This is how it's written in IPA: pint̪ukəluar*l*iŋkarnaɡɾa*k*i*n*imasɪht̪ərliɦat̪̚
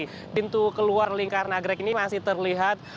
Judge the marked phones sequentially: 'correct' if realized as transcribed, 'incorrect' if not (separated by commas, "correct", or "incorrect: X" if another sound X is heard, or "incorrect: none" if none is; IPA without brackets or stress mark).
correct, correct, correct